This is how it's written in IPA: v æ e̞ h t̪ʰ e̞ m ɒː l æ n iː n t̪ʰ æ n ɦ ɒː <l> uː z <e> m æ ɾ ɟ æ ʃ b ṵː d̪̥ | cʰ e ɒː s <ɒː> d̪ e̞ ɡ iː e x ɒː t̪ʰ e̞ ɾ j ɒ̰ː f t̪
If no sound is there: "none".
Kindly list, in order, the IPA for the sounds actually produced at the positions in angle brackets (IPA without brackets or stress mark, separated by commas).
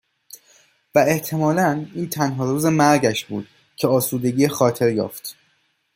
ɾ, e, uː